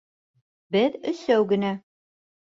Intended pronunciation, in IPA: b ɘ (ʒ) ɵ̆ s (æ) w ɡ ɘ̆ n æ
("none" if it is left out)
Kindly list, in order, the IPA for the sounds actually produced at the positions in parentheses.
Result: ð, æ

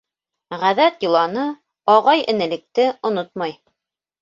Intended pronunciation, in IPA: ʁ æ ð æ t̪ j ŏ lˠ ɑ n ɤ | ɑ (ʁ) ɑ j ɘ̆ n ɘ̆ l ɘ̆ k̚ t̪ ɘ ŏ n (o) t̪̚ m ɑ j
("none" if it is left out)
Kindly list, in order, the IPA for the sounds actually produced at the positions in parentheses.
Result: ʁ, o

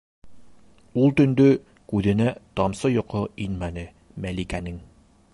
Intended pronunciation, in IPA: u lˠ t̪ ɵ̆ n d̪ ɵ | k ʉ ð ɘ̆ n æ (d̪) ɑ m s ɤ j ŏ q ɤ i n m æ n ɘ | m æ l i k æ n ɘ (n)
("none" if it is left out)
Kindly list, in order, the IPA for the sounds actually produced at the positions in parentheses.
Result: t̪, ŋ

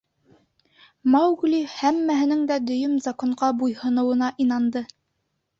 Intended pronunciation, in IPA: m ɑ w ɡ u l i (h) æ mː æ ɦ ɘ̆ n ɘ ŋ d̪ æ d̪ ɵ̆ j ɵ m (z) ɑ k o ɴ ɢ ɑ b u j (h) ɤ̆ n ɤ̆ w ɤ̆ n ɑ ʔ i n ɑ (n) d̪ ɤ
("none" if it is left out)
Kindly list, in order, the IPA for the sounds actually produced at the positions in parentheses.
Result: h, z, h, n

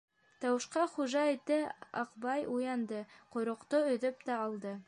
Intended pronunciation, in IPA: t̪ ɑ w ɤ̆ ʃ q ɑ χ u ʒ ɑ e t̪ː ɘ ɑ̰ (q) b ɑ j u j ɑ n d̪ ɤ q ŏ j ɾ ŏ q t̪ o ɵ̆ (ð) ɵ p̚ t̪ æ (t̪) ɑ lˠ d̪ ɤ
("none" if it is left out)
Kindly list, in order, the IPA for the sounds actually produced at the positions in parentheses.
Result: q, ð, none

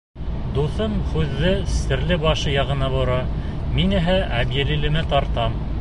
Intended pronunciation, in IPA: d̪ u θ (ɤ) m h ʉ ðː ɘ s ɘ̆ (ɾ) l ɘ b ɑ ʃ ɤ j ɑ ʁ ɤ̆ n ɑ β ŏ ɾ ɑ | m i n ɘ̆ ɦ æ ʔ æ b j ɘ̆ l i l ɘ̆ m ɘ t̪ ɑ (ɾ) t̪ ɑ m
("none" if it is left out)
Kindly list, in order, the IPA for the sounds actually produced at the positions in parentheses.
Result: ɤ, ɾ, ɾ

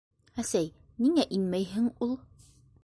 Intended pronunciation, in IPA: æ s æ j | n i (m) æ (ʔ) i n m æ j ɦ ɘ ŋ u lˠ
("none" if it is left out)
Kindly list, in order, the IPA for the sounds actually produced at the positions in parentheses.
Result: ŋ, ʔ

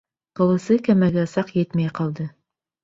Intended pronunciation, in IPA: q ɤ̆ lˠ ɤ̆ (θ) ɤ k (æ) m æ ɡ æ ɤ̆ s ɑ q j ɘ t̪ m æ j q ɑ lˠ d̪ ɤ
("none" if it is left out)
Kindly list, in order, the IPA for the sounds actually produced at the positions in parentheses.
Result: s, æ

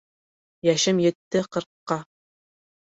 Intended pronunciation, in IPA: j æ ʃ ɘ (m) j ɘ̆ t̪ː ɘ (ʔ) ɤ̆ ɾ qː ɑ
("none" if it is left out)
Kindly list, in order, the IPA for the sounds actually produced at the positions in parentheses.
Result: m, q

